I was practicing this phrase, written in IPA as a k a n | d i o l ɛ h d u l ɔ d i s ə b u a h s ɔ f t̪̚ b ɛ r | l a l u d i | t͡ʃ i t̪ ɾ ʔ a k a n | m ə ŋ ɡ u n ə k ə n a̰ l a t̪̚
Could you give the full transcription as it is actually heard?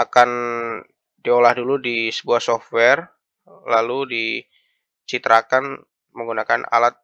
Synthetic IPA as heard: a k a n | d i o l a h d u l u d i s ə b u a h s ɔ f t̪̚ w ɛ r | l a l u d i | t͡ʃ i t̪ ɾ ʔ a k a n | m ə ŋ ɡ u n a k a n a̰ l a t̪̚